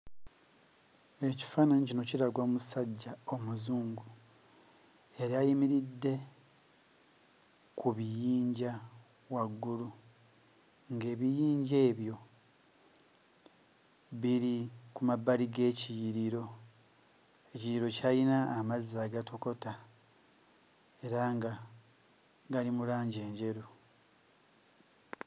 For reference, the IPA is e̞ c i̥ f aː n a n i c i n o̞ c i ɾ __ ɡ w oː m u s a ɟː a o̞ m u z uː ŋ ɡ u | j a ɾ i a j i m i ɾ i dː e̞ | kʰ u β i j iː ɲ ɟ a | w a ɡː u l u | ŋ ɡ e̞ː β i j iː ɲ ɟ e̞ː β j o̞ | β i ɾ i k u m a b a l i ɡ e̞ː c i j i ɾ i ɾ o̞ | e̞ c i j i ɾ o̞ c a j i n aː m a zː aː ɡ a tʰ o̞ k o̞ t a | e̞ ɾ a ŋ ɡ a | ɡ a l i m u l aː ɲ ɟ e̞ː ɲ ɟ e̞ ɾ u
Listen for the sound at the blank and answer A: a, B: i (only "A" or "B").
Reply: A